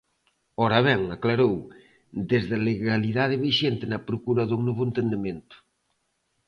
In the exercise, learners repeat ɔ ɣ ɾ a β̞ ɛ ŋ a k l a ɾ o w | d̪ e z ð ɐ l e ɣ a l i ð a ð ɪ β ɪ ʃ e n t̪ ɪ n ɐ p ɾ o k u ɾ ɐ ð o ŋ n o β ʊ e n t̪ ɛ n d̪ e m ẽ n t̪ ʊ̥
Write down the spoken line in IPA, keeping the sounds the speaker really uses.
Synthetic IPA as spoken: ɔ ɾ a β̞ ɛ ŋ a k l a ɾ o w | d̪ e z ð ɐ l e ɣ a l i ð a ð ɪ β i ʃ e n t̪ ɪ n ɐ p ɾ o k u ɾ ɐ ð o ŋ n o β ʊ e n t̪ e n d̪ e m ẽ n t̪ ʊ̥